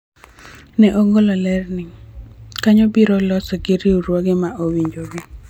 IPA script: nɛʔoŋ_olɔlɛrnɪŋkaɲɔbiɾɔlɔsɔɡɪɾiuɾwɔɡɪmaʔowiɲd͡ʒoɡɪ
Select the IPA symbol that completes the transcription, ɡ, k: ɡ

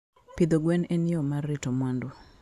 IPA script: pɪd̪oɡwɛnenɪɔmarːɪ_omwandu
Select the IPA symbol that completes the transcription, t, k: t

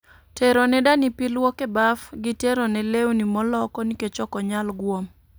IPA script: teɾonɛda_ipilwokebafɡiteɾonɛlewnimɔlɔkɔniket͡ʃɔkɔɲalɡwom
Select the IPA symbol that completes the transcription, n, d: n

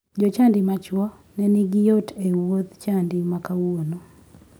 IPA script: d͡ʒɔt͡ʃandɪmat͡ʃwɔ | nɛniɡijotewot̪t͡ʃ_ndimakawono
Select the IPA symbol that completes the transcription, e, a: a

